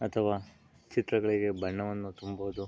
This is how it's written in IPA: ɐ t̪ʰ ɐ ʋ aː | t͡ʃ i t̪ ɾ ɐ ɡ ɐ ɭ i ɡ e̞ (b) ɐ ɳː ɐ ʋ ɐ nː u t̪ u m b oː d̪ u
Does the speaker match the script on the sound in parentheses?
yes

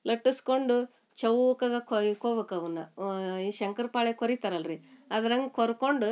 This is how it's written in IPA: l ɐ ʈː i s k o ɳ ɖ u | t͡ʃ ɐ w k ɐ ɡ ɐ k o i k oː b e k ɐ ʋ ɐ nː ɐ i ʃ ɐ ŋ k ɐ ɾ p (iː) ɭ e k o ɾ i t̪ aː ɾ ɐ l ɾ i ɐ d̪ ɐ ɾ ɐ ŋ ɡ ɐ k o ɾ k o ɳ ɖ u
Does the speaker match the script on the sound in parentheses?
no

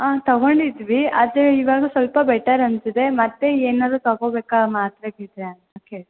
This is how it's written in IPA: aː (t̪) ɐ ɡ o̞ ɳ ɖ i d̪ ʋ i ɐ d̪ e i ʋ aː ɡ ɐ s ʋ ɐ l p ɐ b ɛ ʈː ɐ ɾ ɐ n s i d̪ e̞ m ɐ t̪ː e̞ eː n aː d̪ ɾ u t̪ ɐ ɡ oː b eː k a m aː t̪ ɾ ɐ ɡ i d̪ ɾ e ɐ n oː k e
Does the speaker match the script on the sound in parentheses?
yes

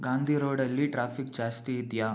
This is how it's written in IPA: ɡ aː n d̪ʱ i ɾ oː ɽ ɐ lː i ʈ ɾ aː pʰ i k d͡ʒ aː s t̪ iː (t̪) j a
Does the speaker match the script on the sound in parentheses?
no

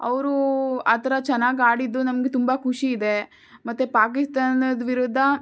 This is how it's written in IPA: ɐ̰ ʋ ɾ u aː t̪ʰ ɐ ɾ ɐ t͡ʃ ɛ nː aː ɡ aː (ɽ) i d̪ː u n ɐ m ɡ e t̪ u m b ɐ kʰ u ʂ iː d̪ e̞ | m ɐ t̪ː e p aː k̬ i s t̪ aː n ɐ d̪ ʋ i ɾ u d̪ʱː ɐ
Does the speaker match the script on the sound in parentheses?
yes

